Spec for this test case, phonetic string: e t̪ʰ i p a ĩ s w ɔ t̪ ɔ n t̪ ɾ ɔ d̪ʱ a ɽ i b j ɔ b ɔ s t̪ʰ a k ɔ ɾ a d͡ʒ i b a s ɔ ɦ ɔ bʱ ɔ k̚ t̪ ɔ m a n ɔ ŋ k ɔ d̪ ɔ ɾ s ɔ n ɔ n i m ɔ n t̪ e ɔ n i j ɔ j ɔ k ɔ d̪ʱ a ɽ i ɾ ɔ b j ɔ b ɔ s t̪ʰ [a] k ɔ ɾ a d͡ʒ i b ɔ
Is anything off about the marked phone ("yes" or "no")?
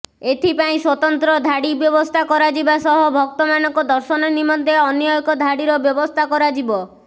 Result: no